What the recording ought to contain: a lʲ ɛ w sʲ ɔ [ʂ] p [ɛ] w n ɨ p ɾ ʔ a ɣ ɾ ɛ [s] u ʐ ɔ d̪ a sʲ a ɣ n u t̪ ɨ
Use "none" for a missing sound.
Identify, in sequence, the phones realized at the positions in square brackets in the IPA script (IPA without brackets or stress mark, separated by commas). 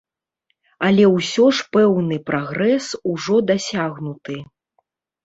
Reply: ʂ, ɛ, s